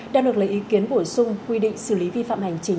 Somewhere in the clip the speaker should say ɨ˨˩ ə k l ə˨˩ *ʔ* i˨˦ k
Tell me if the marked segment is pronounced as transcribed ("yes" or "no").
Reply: yes